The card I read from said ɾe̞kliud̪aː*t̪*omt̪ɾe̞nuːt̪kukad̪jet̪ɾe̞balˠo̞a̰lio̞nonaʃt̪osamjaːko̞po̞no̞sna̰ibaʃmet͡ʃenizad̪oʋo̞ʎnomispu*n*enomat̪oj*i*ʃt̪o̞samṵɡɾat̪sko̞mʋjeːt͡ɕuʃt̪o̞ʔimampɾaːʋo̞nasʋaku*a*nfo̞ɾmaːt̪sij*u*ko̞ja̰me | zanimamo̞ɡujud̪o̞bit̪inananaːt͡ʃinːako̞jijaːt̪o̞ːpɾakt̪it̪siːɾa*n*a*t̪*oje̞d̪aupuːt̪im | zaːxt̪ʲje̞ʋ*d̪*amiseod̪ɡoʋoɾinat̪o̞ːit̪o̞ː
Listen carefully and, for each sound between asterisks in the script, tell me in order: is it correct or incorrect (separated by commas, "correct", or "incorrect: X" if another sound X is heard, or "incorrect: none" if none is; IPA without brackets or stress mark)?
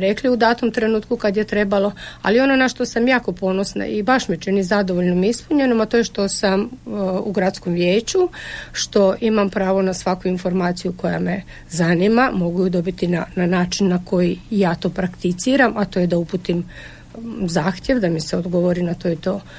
correct, incorrect: ɲ, incorrect: e, incorrect: i, correct, incorrect: m, correct, correct